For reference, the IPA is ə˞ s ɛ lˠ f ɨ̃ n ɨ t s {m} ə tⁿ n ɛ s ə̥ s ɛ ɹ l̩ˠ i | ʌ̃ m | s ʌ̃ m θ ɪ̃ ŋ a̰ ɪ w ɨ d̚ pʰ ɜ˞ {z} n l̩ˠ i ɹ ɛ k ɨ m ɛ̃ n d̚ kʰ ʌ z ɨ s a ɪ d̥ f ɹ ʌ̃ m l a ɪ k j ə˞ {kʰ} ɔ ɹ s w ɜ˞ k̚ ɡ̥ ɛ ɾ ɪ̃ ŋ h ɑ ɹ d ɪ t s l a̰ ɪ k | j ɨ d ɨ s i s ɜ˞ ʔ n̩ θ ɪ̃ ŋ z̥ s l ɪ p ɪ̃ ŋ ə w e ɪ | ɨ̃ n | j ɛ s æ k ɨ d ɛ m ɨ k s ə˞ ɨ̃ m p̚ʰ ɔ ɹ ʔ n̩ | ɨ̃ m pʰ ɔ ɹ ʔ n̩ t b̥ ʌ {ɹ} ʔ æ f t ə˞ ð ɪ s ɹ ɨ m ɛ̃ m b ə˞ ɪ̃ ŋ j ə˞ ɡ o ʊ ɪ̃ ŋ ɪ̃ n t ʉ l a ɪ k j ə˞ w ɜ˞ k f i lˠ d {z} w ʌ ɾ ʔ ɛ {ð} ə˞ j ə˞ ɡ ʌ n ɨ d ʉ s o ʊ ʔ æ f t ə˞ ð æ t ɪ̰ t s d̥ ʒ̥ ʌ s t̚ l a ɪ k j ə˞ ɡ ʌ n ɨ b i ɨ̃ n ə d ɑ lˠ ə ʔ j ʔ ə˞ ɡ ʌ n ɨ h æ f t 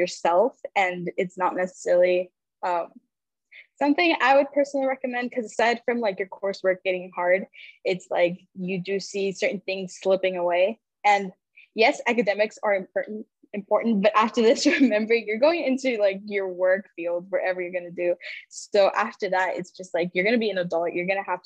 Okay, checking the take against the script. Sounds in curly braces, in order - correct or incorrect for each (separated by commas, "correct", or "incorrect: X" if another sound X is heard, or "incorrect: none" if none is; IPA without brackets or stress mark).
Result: incorrect: n, incorrect: s, correct, incorrect: ɾ, correct, incorrect: v